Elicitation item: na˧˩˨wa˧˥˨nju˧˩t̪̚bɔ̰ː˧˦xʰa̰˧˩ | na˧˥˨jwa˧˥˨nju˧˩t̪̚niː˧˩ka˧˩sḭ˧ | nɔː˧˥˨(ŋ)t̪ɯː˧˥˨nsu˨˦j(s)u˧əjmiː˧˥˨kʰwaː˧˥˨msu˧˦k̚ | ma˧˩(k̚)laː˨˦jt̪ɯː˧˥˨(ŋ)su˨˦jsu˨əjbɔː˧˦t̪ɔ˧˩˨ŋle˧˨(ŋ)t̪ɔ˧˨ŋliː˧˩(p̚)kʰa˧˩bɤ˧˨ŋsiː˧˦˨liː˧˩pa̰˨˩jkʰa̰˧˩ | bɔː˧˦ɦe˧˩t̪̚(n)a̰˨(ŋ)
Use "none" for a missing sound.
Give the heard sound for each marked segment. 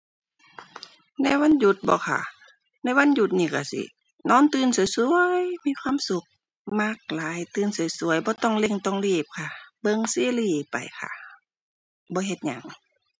n, s, k̚, n, ŋ, p̚, ɲ, ŋ

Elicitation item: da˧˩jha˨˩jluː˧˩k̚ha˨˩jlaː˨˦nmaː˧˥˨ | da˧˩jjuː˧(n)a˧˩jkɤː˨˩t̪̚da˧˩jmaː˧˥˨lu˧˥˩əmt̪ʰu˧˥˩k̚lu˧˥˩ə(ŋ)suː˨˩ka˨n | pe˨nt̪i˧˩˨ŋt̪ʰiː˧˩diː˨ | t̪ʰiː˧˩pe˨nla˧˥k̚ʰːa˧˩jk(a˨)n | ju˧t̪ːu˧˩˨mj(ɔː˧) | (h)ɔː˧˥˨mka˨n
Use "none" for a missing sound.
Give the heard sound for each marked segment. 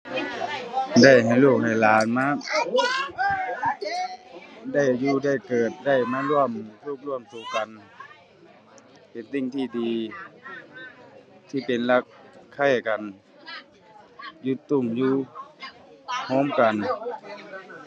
d, m, a˨, uː˧, h

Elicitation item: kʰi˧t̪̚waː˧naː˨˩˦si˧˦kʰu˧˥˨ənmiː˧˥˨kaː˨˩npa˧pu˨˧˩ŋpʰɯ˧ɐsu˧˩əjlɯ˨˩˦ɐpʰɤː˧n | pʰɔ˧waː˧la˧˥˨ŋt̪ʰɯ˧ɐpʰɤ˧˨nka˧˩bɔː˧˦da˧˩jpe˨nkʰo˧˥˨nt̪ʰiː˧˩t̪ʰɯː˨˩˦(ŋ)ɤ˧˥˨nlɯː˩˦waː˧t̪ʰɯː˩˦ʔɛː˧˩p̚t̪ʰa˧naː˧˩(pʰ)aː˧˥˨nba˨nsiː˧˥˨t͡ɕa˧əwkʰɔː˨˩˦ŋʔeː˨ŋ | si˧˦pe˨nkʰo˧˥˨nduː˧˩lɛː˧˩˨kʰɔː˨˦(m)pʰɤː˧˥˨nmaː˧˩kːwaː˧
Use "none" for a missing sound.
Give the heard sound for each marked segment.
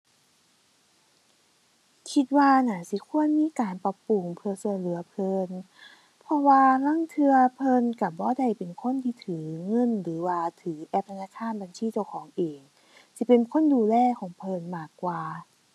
ŋ, kʰ, ŋ

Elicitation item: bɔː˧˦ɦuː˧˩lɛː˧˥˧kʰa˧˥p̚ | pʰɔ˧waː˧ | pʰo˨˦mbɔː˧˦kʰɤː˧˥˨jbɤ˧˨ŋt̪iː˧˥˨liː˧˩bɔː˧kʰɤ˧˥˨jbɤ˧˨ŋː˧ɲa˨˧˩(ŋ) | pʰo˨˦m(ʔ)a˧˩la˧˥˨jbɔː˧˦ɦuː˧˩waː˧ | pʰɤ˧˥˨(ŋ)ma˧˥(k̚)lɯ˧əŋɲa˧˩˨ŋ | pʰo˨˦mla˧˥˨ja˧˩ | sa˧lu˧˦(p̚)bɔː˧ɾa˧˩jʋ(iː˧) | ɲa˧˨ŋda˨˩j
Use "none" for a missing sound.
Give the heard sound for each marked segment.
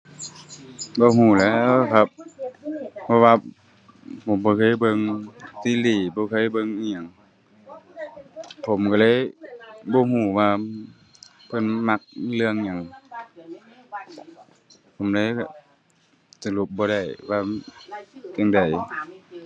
ŋ, k, n, k̚, p̚, aː˧

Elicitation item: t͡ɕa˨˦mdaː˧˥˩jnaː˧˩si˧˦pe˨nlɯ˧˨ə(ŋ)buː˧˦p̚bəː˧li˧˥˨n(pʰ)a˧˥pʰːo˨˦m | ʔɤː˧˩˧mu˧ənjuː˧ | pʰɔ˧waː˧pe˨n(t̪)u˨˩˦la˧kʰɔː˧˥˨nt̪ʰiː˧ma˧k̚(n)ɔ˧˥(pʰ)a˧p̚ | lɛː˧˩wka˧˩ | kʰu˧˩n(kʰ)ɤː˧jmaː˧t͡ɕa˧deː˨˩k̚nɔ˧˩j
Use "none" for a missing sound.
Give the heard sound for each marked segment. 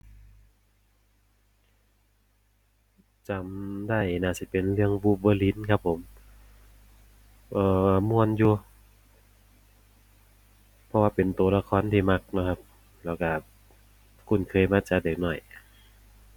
ŋ, kʰ, t̪, n, kʰ, kʰ

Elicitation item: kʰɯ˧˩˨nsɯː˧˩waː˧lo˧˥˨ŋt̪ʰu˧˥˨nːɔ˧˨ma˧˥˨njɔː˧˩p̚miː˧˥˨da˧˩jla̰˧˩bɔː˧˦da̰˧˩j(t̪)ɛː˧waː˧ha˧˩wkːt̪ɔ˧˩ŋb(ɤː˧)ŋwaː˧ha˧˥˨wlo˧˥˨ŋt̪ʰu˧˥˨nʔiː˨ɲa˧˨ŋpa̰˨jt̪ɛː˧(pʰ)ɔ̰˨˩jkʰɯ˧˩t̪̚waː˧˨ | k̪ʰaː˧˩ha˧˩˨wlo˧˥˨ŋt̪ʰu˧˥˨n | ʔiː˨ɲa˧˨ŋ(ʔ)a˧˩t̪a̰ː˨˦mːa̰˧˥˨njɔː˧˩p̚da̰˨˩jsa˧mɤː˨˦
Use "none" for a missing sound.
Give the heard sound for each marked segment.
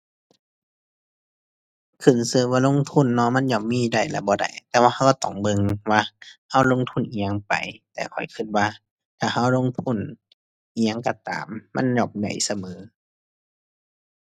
t̪, ɤ˧, kʰ, k

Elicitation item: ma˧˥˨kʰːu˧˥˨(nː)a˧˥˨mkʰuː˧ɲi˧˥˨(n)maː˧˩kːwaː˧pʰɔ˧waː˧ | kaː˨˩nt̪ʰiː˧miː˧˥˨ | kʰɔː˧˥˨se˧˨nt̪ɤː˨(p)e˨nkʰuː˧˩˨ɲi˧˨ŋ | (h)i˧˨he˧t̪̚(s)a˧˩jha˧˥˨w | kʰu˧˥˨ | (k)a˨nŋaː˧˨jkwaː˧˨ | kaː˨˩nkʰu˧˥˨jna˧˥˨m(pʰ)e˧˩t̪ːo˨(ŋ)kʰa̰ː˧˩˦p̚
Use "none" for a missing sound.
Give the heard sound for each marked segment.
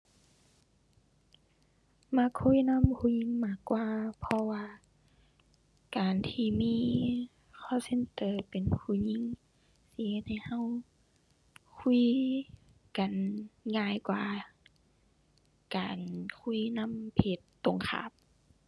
n, ŋ, p, s, h, k, pʰ, ŋ

